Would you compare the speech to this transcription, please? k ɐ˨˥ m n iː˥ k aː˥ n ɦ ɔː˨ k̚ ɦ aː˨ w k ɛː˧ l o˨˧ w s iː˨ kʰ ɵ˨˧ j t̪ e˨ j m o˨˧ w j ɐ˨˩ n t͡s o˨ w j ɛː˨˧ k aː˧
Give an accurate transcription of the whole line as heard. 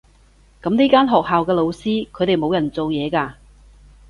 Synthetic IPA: k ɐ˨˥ m n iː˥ k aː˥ n ɦ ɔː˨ k̚ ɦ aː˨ w k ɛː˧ l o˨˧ w s iː˥ kʰ ɵ˨˧ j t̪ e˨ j m o˨˧ w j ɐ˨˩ n t͡s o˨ w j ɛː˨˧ k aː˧